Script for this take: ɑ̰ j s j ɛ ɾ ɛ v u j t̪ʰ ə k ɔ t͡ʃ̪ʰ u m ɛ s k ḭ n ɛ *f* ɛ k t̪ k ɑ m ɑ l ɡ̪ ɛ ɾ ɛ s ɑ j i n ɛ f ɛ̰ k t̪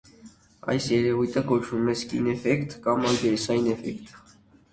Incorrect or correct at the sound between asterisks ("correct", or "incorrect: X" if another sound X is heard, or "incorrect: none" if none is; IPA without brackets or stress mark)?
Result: correct